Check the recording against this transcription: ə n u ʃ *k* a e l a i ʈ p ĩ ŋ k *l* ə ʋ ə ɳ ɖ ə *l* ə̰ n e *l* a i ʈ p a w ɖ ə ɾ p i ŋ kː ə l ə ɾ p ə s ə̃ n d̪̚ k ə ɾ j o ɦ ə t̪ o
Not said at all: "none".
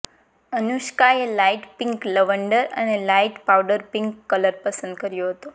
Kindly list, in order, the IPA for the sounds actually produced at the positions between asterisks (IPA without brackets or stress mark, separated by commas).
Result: k, l, ɾ, l